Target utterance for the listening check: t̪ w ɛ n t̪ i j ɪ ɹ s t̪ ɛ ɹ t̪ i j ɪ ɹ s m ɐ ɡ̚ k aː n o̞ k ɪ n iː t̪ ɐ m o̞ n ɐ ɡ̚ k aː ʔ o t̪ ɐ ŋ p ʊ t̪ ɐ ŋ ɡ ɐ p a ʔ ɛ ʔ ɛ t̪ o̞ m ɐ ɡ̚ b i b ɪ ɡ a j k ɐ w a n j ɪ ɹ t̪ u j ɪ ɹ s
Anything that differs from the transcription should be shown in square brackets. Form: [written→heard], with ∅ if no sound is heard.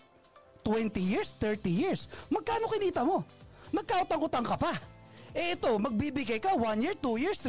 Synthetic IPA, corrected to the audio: t̪ w ɛ n t̪ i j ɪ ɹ s t̪ ɛ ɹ t̪ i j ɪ ɹ s m ɐ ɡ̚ k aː n o̞ k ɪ n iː t̪ ɐ m o̞ n ɐ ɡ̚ k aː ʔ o t̪ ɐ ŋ [p→k] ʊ t̪ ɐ ŋ [ɡ→k] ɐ p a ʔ ɛ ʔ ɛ t̪ o̞ m ɐ ɡ̚ b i b ɪ ɡ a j k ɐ w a n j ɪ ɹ t̪ u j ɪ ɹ s